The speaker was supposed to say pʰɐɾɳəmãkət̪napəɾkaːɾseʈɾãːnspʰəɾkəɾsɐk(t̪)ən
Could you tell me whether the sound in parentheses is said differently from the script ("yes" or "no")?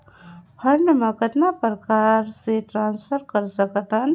no